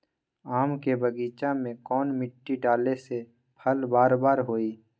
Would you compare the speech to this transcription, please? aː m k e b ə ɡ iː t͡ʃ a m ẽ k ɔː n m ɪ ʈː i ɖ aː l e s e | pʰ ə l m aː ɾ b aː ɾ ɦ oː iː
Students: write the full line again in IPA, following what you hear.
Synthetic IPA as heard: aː m k e b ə ɡ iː t͡ʃ a m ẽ k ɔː n m ɪ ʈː i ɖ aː l e s e | pʰ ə l b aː ɾ b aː ɾ ɦ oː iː